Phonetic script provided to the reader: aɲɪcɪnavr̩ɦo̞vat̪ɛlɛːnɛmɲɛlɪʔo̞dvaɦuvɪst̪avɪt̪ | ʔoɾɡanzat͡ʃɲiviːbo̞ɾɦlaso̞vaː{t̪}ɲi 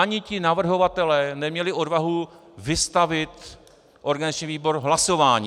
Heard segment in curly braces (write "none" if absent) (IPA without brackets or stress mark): none